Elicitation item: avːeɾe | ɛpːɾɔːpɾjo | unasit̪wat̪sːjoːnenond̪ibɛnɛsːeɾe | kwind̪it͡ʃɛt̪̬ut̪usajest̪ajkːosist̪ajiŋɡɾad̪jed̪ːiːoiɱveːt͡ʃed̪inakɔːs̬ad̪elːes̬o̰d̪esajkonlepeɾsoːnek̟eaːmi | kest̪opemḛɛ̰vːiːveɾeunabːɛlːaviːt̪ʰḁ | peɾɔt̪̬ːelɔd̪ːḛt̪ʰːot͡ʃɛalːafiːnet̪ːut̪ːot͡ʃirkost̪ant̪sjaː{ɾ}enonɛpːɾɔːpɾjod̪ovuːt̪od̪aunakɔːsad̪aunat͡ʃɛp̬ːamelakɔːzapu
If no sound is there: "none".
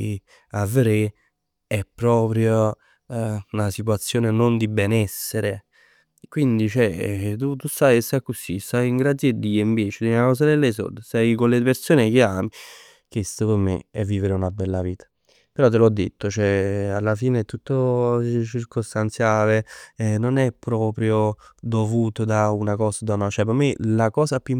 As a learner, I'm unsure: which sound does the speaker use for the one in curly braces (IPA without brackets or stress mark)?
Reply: l